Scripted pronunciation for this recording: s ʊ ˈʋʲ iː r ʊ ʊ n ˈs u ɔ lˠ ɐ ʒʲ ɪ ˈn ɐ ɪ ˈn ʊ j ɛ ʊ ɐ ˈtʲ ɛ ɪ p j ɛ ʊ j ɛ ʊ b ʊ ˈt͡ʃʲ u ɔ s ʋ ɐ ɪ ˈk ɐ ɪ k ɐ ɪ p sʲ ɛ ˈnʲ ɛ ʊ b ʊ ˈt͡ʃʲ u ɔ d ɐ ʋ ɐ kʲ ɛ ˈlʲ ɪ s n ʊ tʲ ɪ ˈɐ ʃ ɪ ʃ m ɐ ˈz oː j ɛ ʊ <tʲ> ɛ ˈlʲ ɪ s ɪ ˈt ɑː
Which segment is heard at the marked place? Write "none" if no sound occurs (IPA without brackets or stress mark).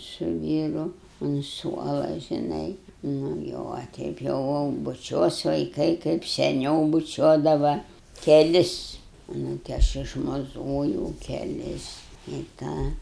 kʲ